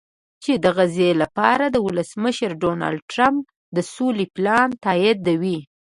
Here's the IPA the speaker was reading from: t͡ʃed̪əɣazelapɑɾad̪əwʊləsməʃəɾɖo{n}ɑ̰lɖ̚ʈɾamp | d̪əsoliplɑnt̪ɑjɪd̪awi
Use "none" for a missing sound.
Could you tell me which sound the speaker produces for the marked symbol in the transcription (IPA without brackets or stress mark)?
n